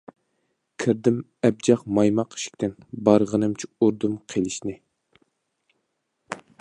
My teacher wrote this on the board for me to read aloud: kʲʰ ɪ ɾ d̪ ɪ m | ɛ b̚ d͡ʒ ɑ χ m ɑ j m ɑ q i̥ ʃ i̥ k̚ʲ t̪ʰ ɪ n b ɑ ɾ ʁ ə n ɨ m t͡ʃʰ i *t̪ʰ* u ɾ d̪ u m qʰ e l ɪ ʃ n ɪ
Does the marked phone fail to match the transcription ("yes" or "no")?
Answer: yes